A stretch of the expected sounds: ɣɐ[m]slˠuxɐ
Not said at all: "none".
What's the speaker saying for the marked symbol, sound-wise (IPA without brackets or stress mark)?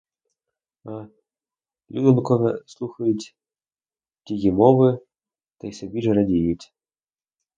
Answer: none